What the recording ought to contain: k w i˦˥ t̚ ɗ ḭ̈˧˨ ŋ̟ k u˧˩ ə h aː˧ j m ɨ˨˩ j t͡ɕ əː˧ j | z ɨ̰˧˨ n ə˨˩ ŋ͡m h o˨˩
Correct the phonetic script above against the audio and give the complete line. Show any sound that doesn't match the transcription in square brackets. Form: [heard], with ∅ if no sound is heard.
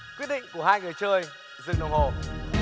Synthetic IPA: k w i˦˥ t̚ ɗ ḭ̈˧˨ ŋ̟ k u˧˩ ə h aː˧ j [ŋ] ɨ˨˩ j t͡ɕ əː˧ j | z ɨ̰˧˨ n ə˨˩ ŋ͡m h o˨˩

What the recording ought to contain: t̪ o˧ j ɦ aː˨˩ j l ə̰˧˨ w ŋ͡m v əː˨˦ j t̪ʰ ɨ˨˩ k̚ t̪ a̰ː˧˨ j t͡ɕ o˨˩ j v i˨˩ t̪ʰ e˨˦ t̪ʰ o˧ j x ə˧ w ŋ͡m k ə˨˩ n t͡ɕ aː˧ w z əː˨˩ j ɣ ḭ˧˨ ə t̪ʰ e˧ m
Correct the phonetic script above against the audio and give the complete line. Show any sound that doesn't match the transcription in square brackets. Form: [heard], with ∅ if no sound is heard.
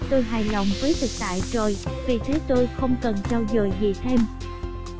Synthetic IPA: t̪ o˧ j ɦ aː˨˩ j l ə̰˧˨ w ŋ͡m v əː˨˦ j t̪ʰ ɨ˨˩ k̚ t̪ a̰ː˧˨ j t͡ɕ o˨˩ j v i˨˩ t̪ʰ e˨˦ [t̪] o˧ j x ə˧ w ŋ͡m k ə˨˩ n t͡ɕ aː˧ w z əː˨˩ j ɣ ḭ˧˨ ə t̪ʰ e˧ m

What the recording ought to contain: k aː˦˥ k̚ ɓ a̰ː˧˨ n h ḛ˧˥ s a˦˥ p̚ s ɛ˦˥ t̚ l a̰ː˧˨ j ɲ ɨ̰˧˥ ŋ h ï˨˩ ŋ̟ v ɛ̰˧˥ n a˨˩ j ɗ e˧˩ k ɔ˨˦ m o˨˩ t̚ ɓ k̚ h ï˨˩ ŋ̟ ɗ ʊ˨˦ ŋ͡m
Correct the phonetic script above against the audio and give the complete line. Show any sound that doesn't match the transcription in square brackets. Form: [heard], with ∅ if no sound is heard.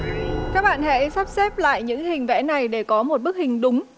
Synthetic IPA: k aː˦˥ k̚ ɓ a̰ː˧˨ n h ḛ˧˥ s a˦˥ p̚ s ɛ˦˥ [p̚] l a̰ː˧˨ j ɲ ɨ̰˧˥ ŋ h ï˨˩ ŋ̟ v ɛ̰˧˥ n a˨˩ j ɗ e˧˩ k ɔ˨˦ m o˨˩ t̚ ɓ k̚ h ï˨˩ ŋ̟ ɗ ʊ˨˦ ŋ͡m

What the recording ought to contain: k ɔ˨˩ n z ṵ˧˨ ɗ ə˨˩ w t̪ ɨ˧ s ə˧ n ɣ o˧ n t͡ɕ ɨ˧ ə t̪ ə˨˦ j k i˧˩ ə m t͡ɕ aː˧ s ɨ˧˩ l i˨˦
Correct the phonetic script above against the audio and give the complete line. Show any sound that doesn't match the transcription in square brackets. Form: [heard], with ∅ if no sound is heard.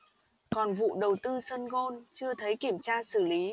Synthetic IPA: k ɔ˨˩ n [v] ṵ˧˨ ɗ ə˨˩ w t̪ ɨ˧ s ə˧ n ɣ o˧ n t͡ɕ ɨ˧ ə [t̪ʰ] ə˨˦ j k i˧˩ ə m t͡ɕ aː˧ s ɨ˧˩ l i˨˦

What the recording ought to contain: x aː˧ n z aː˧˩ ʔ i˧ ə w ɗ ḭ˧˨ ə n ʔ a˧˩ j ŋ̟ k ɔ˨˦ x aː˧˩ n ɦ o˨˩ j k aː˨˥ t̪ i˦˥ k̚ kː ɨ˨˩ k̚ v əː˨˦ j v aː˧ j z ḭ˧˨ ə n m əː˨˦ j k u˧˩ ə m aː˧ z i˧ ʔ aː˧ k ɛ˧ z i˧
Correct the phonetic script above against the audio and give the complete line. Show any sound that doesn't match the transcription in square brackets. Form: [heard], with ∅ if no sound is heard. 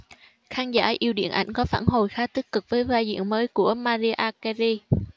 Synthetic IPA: x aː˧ n z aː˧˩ ʔ i˧ ə w ɗ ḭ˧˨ ə n ʔ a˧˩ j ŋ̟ k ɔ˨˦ [f] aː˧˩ n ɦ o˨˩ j [x] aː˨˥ t̪ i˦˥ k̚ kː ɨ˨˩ k̚ v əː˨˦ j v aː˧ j z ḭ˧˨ ə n m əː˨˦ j k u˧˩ ə m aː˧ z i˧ ʔ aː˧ k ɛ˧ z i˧

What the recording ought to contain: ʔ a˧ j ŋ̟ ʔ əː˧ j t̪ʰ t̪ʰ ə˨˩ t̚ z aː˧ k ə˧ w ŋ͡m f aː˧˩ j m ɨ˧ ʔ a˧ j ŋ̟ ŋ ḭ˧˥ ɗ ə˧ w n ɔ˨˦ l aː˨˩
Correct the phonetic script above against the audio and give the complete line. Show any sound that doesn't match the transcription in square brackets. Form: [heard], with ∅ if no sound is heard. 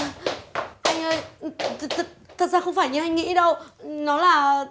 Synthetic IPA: ʔ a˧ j ŋ̟ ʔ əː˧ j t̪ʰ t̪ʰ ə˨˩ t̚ z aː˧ [x] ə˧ w ŋ͡m f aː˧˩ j [ɲ] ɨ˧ ʔ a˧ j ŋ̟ ŋ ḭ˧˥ ɗ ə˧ w n ɔ˨˦ l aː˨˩

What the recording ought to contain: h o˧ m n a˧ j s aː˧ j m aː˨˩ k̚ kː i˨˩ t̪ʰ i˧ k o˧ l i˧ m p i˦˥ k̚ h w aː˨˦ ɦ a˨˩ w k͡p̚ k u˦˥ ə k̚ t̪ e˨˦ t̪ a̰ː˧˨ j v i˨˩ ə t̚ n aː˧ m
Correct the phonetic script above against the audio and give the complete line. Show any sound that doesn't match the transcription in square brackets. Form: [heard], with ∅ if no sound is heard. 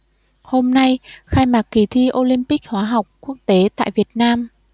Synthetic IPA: h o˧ m n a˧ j [x] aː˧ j m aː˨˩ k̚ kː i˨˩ t̪ʰ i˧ [ʔ] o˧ l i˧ m p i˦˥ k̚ h w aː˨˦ ɦ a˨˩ w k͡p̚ k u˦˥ ə k̚ t̪ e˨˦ t̪ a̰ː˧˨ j v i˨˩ ə t̚ n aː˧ m

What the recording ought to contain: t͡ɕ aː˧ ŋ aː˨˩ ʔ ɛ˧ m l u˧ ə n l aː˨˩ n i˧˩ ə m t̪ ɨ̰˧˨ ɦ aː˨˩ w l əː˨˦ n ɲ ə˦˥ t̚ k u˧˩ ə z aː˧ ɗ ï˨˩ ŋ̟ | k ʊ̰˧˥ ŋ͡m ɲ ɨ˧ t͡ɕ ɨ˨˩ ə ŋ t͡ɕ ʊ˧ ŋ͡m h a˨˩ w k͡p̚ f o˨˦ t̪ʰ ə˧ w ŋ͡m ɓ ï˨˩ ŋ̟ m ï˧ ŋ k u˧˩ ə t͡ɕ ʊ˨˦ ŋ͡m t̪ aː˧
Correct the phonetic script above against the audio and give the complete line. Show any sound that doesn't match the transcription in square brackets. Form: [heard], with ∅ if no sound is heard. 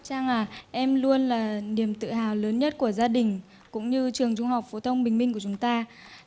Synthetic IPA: t͡ɕ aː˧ ŋ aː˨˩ ʔ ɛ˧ m l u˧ ə n l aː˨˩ n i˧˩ ə m t̪ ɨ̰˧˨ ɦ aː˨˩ w l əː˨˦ n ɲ ə˦˥ t̚ k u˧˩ ə z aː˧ ɗ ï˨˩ ŋ̟ | k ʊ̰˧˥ ŋ͡m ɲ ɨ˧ t͡ɕ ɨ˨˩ ə ŋ t͡ɕ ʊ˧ ŋ͡m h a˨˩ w k͡p̚ f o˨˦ t̪ʰ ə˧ w ŋ͡m ɓ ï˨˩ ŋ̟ m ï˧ ŋ k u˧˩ ə t͡ɕ ʊ˨˦ ŋ͡m t̪ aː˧

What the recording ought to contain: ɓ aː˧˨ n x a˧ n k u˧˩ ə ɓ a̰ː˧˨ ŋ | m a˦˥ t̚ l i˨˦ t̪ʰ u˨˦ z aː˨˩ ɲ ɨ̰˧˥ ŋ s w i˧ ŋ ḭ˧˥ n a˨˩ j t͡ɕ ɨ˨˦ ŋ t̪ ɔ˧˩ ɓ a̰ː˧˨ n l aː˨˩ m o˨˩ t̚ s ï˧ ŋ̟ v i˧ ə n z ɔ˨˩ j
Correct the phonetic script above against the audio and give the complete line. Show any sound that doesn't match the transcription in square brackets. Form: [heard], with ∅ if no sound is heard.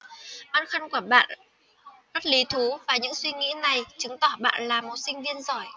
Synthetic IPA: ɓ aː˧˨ n x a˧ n k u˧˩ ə ɓ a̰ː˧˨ [n] | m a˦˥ t̚ l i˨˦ t̪ʰ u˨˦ [v] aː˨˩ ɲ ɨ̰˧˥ ŋ s w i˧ ŋ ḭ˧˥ n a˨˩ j t͡ɕ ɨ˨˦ ŋ t̪ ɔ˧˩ ɓ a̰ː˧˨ n l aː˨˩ m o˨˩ t̚ s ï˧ ŋ̟ v i˧ ə n z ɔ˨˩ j

